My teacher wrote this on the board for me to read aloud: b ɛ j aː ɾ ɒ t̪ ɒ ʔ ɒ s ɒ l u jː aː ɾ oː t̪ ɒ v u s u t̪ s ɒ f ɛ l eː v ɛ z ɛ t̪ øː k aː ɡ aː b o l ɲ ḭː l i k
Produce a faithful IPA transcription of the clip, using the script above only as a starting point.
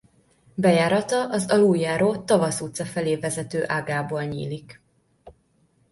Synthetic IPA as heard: b ɛ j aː ɾ ɒ t̪ ɒ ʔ ɒ z ɒ l u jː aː ɾ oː t̪ ɒ v ɒ s u t̪ s ɒ f ɛ l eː v ɛ z ɛ t̪ øː ʔ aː ɡ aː b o l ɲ ḭː l i k